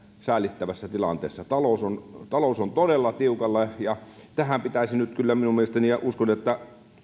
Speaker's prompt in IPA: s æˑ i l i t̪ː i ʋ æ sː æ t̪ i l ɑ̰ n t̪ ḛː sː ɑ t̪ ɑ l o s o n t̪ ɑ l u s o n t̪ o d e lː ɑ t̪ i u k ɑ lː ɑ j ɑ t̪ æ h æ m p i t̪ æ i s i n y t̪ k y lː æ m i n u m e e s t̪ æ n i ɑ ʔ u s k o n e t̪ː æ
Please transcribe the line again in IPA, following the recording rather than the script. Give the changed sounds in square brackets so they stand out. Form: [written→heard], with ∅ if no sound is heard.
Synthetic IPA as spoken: s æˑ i l i t̪ː [i→æ] ʋ æ sː æ t̪ i l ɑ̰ n t̪ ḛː sː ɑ t̪ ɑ l o s o n t̪ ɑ l [u→o] s o n t̪ o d e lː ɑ t̪ i u k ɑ lː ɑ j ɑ t̪ æ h æ m p i t̪ æ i s i n y t̪ k y lː æ m i n u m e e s t̪ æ n i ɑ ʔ u s k o n e t̪ː æ